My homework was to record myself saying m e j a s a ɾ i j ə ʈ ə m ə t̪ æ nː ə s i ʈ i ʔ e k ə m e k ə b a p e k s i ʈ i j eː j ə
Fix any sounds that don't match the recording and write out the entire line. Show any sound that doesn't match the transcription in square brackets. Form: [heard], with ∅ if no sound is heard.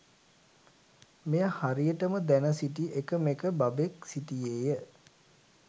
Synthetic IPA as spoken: m e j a [h] a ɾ i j ə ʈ ə m ə [d̪] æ [n] ə s i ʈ i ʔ e k ə m e k ə b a [b] e k s i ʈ i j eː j ə

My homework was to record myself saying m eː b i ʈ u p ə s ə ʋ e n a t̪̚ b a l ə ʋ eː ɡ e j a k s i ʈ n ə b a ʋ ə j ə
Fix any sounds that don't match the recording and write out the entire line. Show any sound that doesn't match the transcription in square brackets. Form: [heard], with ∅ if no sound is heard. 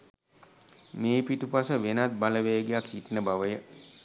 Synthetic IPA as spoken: m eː [p] i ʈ u p [a] s ə ʋ e n a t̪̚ b a l ə ʋ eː ɡ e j a k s i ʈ n ə b a ʋ ə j ə

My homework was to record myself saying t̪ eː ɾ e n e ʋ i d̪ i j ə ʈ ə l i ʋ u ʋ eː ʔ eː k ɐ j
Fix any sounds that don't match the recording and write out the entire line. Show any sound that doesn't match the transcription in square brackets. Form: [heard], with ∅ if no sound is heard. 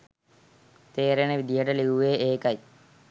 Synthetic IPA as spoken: t̪ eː ɾ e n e ʋ i d̪ i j ə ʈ ə l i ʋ u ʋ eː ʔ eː k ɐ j

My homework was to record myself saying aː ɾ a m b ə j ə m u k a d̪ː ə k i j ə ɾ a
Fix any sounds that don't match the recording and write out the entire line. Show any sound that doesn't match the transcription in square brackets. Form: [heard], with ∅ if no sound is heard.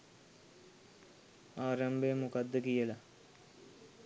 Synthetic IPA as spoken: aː ɾ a m b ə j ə m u k a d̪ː ə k i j ə [l] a

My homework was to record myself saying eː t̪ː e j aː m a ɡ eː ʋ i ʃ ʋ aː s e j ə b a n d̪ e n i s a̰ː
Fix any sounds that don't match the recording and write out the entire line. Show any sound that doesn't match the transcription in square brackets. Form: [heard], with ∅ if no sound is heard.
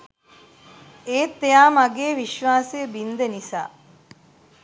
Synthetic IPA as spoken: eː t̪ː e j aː m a ɡ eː ʋ i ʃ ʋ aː s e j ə b [i] n d̪ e n i s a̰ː

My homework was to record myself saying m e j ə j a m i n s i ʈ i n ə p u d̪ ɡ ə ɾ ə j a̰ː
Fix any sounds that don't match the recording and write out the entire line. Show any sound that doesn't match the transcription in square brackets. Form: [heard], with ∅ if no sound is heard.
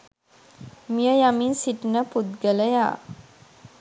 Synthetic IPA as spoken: m [i] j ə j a m i n s i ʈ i n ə p u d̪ ɡ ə [l] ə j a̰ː

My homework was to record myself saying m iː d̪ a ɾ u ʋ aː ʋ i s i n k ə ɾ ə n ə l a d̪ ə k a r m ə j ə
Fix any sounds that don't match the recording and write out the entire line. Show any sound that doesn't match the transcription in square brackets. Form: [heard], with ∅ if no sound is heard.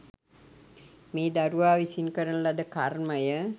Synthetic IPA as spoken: m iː d̪ a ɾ u ʋ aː ʋ i s i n k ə ɾ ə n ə l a d̪ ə k a r m ə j ə

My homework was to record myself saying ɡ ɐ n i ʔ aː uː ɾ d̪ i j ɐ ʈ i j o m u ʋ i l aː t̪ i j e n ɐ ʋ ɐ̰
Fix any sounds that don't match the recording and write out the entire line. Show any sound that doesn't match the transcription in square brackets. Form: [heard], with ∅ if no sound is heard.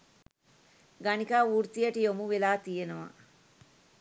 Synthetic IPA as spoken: ɡ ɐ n i [k] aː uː ɾ [t̪] i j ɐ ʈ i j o m u ʋ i l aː t̪ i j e n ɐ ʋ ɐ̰

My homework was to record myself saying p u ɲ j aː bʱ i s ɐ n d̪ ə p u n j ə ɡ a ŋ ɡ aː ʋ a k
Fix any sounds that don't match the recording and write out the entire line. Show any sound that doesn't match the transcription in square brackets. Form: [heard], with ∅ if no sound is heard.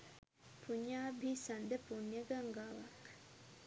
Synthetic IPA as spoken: p u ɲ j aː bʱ i s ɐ n d̪ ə p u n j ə ɡ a ŋ ɡ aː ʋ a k

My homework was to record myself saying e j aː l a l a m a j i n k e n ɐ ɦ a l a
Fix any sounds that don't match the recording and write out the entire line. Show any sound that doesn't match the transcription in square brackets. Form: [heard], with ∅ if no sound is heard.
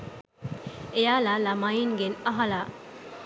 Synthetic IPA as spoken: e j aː l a l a m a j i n [ɡ] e n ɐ ɦ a l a

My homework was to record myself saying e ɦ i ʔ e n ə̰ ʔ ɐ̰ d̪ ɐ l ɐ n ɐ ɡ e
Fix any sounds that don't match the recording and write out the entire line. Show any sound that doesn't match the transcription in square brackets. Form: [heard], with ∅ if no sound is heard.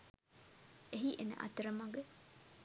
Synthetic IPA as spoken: e ɦ i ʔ e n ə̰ ʔ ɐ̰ [t̪] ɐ [ɾ] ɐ [m] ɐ ɡ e

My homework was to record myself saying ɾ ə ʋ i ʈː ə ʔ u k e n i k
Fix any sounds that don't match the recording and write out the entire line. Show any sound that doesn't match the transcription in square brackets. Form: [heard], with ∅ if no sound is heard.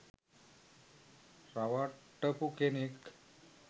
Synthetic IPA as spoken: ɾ [a] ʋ [a] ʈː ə [p] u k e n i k

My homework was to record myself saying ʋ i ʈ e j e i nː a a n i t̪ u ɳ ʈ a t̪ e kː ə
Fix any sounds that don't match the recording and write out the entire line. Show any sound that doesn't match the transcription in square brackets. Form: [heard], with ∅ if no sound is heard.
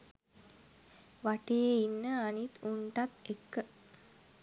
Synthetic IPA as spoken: ʋ [a] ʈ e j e i nː [ə] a n i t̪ u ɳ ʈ a t̪ e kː ə

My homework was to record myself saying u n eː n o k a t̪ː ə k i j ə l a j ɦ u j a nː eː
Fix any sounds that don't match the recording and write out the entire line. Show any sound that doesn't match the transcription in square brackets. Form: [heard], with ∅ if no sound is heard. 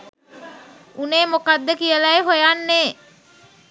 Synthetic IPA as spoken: u n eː [m] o k a [d̪ː] ə k i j ə l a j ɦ [o] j a nː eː

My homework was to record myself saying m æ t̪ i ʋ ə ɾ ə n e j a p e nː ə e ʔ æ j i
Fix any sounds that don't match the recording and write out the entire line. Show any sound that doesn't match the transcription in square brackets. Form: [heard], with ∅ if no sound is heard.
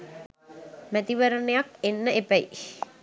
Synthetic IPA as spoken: m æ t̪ i ʋ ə ɾ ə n e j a [k] e nː ə e [p] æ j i

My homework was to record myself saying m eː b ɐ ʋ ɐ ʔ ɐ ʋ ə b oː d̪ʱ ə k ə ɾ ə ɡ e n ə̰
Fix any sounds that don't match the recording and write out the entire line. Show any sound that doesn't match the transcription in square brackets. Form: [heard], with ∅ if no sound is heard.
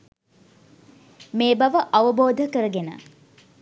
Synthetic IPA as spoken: m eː b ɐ ʋ [ə] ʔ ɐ ʋ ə b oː d̪ʱ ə k ə ɾ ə ɡ e n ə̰

